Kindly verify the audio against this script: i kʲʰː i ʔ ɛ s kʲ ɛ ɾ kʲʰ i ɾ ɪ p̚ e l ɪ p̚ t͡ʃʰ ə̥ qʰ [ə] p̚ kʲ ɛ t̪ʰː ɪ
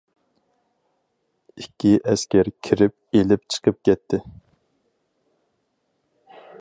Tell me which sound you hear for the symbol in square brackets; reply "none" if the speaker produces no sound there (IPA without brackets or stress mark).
ə